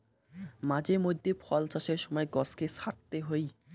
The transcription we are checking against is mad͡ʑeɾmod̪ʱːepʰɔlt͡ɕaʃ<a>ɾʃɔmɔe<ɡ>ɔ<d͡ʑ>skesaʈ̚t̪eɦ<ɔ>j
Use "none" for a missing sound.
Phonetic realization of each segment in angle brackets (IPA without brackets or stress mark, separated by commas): e, ɡ, none, o